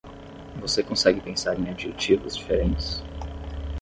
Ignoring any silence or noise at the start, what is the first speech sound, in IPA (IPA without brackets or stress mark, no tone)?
v